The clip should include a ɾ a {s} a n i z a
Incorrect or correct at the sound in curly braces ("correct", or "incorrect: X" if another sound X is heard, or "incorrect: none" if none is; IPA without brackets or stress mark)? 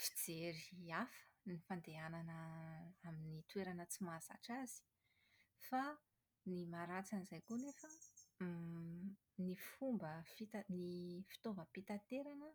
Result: incorrect: t͡s